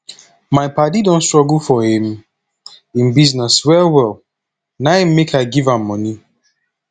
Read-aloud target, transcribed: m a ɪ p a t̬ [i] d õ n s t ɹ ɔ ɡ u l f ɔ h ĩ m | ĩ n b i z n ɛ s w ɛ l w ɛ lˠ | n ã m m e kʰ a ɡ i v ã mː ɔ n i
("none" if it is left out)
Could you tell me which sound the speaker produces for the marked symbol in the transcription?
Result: i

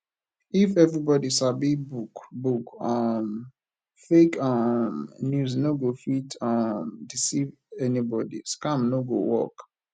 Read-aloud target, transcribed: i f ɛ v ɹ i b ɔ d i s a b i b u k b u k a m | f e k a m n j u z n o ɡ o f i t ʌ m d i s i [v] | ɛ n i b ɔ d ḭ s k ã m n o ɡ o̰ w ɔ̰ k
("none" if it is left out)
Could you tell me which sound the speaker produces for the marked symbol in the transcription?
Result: v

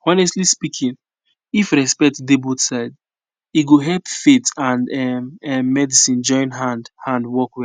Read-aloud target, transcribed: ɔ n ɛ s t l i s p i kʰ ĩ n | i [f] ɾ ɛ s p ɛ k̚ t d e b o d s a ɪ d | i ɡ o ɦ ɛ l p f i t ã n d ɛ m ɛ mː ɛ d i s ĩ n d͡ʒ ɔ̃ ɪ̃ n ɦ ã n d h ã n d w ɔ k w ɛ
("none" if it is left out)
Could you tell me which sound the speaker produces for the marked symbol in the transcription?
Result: f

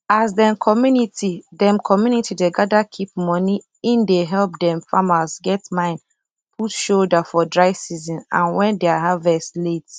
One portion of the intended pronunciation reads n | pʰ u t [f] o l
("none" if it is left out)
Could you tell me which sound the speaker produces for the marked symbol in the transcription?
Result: ʃ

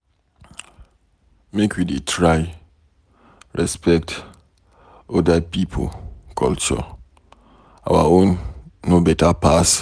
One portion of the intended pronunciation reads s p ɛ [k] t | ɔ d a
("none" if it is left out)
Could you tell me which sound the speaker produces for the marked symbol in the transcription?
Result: k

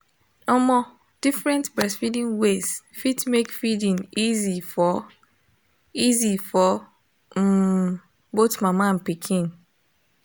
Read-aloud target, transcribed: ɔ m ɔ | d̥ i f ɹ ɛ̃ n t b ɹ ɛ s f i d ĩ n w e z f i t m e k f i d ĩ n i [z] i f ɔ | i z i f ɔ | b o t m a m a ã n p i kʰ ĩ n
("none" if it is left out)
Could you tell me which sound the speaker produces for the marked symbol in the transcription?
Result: z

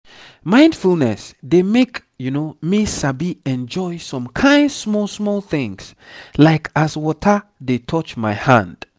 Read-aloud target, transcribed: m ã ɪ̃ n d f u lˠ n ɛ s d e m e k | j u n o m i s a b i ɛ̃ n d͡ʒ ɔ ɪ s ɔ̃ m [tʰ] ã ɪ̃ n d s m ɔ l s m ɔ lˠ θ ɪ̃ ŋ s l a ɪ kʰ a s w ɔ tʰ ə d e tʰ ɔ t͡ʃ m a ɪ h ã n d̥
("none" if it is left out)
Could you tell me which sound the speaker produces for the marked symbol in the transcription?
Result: kʰ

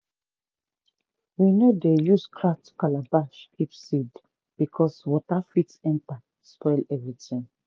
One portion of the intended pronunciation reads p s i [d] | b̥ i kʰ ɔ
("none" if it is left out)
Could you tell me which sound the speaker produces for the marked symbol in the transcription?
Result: d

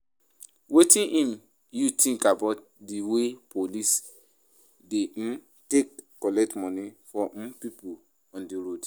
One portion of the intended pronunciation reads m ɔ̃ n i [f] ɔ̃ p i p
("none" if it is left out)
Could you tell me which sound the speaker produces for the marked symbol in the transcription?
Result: f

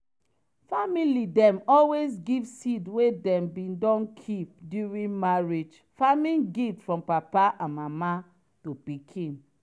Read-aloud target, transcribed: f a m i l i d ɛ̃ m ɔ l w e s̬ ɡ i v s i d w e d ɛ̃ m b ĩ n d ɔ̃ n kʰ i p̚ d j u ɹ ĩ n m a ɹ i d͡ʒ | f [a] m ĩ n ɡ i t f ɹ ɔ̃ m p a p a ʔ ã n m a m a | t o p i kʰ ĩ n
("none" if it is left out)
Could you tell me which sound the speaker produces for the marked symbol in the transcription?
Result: a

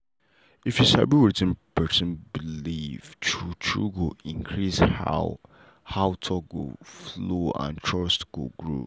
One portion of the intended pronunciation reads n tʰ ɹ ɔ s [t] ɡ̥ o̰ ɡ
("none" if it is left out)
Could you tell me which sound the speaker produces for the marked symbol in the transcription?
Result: t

